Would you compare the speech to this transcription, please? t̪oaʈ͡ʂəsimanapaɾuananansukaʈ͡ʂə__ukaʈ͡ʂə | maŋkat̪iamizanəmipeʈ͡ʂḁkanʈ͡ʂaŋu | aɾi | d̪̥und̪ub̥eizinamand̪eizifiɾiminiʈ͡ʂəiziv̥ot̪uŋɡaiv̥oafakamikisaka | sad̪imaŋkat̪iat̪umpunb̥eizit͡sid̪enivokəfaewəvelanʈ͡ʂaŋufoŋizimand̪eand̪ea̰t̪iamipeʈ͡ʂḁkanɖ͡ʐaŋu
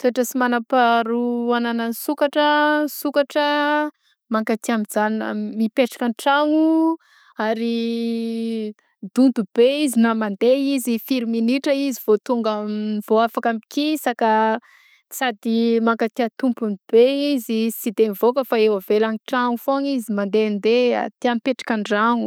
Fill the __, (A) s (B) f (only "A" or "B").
A